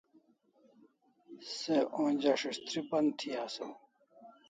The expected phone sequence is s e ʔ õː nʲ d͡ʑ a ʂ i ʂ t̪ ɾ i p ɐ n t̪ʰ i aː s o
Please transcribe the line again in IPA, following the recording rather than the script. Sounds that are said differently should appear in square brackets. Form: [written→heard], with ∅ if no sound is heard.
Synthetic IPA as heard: s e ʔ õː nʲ d͡ʑ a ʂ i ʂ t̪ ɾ i p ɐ n t̪ʰ i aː s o